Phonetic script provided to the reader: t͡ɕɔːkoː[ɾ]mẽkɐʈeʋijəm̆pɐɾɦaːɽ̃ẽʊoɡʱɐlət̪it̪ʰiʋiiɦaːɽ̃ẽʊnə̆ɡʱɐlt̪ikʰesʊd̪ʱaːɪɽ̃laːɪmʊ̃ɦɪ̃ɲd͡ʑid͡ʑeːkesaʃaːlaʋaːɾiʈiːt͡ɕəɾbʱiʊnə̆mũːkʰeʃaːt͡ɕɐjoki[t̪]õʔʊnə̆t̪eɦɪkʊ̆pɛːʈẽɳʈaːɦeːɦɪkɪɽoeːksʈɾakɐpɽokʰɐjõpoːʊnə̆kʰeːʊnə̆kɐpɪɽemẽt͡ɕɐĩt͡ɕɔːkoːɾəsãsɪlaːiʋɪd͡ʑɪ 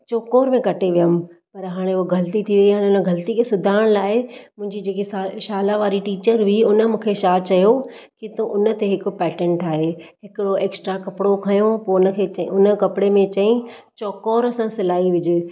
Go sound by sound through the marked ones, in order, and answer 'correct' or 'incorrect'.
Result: correct, correct

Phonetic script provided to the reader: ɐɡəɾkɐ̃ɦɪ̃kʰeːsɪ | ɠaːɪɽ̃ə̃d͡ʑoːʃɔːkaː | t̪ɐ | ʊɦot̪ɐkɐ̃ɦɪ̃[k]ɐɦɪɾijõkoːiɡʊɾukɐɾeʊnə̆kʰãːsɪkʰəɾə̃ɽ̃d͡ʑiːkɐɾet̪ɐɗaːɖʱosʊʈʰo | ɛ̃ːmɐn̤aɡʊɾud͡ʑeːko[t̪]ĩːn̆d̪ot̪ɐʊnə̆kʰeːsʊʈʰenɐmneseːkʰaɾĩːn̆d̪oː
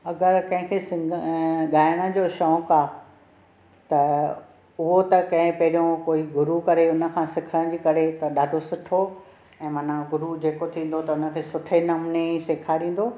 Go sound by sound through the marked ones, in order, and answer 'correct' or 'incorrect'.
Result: incorrect: p, incorrect: t̪ʰ

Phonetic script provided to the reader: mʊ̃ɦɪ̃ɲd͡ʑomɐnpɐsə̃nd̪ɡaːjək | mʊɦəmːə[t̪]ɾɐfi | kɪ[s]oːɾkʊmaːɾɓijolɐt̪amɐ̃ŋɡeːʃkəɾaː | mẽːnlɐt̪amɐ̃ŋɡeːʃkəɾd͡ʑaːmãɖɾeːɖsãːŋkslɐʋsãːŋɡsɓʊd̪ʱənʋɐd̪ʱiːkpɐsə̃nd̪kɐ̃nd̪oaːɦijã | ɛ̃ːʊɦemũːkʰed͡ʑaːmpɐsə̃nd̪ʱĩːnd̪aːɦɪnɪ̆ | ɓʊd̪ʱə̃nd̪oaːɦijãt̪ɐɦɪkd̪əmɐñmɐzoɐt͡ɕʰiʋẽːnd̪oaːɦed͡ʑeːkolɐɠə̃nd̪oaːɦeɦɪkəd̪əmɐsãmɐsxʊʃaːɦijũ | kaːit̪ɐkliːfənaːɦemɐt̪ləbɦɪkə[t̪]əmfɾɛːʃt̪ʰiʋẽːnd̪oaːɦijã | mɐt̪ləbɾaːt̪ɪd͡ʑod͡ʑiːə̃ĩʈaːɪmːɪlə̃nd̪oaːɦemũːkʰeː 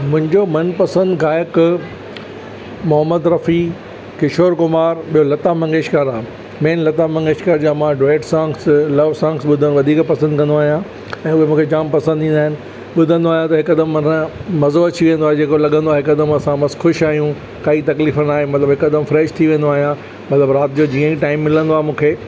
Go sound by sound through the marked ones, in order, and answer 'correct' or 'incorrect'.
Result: incorrect: d̪, incorrect: ʃ, incorrect: d̪

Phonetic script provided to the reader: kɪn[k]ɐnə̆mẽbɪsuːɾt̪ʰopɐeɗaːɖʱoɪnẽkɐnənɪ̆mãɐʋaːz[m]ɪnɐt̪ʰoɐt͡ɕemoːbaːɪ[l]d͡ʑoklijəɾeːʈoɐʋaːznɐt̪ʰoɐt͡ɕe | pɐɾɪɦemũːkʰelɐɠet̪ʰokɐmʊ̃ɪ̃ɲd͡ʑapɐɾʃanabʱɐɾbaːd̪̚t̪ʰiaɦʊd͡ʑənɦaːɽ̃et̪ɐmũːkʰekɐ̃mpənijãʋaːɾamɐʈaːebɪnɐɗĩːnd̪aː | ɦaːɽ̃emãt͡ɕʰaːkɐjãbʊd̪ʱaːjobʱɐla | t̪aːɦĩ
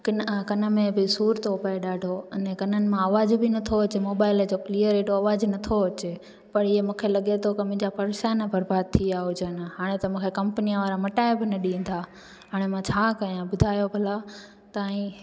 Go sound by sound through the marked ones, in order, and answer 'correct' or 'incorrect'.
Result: correct, incorrect: b, correct

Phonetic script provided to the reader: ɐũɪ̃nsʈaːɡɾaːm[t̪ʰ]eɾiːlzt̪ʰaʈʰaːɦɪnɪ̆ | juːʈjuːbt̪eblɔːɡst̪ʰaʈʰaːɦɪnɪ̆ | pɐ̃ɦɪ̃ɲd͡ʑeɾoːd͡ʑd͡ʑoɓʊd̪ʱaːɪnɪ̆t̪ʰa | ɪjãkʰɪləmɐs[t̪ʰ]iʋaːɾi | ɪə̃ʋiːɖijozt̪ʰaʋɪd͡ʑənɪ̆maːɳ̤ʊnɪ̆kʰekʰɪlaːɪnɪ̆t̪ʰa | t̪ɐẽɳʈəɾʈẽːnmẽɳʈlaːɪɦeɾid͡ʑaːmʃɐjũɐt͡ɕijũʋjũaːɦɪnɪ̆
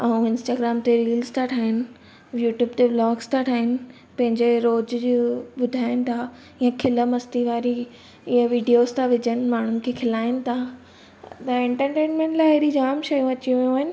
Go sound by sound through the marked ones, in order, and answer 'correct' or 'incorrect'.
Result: incorrect: t̪, incorrect: t̪

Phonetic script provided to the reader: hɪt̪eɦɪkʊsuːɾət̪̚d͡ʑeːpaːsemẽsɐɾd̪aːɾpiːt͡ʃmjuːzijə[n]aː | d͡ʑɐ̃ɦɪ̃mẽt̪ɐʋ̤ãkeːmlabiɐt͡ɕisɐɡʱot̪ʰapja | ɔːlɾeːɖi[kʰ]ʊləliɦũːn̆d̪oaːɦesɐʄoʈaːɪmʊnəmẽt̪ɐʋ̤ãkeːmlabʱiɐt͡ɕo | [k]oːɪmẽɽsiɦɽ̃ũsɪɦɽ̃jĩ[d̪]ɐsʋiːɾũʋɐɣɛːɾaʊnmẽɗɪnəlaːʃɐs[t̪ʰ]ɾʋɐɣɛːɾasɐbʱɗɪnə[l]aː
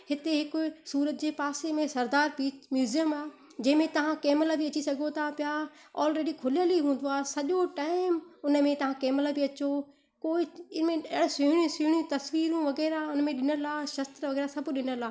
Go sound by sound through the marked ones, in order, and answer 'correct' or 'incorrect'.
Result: incorrect: m, correct, correct, incorrect: t̪, incorrect: t̪, correct

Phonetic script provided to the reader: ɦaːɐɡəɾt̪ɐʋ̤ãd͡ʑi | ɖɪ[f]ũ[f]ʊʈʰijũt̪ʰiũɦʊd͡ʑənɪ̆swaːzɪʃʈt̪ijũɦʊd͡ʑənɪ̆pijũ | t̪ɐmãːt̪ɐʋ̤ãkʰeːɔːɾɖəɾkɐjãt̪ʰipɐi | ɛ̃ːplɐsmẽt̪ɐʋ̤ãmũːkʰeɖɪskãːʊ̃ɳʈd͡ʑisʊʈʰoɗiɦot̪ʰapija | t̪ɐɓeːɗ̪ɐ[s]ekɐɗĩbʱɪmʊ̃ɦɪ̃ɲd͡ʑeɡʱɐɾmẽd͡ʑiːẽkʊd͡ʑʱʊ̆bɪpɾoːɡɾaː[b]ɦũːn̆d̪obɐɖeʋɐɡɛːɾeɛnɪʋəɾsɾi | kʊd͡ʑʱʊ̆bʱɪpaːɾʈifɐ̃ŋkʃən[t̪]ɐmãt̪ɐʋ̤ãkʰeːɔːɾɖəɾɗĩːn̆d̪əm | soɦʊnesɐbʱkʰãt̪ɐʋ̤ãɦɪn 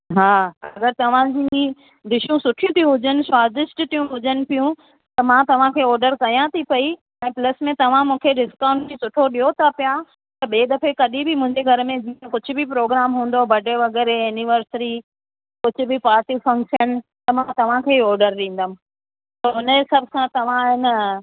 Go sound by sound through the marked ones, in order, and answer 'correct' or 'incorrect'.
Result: incorrect: ʃ, incorrect: s, incorrect: f, incorrect: m, correct

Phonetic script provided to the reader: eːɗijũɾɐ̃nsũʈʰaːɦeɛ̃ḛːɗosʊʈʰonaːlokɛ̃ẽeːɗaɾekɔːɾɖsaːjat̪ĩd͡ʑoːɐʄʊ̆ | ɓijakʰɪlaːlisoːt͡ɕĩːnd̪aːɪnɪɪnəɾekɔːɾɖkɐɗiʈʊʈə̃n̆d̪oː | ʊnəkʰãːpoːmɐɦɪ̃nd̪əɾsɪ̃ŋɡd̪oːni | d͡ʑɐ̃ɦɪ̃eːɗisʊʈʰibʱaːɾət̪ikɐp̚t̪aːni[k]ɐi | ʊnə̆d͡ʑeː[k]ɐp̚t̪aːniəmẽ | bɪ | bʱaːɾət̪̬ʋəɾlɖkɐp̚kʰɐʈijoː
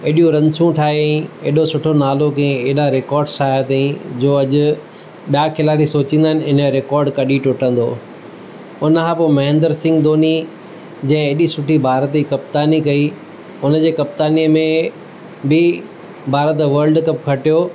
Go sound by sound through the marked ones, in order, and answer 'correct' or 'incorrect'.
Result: correct, correct

